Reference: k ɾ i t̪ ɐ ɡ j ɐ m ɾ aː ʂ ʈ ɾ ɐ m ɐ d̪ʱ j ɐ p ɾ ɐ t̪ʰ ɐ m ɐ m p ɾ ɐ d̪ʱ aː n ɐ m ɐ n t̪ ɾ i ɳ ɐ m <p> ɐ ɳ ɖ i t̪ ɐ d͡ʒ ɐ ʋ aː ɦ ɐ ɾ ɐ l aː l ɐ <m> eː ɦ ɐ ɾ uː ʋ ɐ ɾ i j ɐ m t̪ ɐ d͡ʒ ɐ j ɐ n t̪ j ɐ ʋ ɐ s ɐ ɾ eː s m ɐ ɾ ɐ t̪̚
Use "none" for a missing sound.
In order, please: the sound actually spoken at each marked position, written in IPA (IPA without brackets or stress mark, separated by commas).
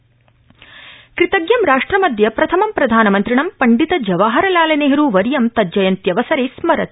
p, n